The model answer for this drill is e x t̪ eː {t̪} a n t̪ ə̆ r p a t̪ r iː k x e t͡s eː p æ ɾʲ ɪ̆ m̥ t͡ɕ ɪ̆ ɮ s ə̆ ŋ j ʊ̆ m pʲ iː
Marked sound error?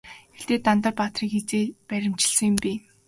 no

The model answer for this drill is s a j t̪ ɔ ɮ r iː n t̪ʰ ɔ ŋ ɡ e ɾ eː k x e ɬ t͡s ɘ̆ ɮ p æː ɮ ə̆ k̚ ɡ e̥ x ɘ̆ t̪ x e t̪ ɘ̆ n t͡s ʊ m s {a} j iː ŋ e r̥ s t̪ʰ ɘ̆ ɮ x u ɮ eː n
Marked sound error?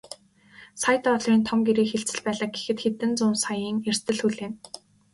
no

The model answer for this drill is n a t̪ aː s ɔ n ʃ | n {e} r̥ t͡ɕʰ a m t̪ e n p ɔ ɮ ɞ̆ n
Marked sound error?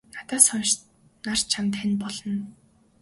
yes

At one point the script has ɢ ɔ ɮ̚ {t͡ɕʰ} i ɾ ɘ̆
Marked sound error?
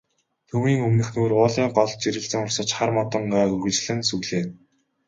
yes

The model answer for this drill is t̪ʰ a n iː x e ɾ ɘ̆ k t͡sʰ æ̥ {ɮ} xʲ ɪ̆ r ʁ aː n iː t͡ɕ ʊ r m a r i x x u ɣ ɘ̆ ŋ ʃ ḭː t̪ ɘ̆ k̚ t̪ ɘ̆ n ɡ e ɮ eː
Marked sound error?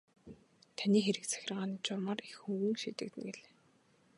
yes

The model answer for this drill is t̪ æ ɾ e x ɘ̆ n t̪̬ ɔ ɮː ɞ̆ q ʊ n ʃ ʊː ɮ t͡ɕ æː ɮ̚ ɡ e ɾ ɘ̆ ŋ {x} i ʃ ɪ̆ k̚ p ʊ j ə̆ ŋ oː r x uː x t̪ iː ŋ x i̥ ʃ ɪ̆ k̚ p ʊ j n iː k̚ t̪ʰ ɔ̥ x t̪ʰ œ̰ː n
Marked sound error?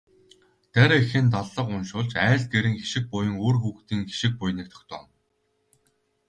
no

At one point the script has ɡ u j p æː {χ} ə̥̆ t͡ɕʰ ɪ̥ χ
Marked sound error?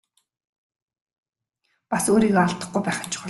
no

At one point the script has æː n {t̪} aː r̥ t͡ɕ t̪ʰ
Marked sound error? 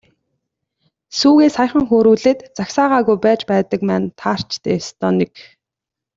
yes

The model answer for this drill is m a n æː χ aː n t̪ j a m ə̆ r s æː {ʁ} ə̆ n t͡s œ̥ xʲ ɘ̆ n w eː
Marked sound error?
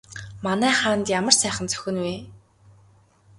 yes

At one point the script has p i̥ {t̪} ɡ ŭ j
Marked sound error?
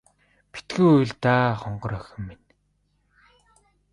no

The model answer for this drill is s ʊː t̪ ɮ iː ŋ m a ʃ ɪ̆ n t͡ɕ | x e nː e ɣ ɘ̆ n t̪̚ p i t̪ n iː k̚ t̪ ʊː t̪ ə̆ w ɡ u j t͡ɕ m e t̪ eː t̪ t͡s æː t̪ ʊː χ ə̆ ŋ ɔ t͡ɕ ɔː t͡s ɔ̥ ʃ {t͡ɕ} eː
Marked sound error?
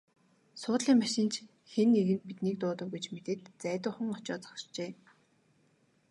no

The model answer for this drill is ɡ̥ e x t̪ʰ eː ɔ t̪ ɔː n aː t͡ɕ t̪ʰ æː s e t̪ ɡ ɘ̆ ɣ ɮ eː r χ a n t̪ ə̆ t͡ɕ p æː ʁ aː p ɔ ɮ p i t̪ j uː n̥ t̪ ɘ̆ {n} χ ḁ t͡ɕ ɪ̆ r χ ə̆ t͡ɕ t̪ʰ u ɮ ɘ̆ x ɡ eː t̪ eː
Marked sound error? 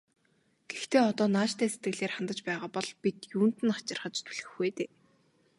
no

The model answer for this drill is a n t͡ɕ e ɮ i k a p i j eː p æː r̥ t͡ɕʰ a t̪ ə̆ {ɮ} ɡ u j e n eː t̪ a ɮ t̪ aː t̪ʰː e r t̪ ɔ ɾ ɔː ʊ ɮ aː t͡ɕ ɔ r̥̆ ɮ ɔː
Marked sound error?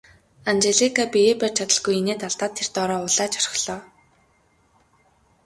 no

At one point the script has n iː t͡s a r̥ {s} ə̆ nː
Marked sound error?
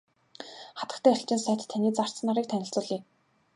yes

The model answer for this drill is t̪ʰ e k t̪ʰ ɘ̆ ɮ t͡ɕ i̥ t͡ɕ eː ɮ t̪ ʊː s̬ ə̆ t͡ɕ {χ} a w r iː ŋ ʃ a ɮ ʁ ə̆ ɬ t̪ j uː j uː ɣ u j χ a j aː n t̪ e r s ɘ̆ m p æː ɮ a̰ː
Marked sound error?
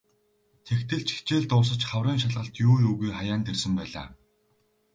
no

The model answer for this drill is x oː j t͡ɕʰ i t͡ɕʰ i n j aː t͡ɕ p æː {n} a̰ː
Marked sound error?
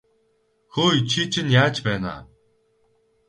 no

